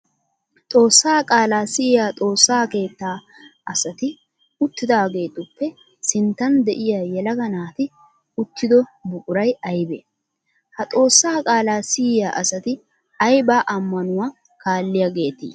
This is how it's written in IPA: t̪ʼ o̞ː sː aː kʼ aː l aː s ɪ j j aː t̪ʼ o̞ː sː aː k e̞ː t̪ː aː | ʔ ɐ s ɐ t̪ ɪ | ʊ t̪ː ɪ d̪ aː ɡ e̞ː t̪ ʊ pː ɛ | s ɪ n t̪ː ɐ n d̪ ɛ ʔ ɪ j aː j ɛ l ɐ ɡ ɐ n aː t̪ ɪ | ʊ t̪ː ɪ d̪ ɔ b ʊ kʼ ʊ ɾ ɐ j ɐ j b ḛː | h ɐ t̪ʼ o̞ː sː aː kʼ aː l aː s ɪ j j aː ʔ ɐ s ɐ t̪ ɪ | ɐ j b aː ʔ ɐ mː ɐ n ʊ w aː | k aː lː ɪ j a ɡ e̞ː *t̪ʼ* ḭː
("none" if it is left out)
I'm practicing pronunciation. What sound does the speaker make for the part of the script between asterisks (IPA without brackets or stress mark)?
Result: t̪